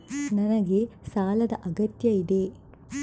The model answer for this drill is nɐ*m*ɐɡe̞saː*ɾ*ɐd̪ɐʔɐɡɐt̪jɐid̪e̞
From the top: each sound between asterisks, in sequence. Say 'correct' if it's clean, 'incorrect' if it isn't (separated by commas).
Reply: incorrect, incorrect